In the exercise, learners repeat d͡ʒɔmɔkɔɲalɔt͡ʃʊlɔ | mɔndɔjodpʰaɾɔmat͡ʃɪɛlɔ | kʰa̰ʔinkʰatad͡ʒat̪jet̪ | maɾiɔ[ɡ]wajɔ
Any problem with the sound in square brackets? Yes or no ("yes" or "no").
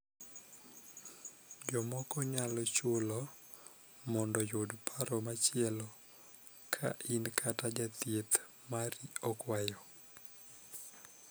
yes